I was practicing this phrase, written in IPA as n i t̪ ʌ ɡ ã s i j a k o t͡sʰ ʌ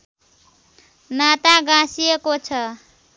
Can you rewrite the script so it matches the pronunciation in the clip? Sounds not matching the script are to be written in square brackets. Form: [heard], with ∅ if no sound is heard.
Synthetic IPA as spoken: n [a] t̪ [a] ɡ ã s i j [e] k o t͡sʰ ʌ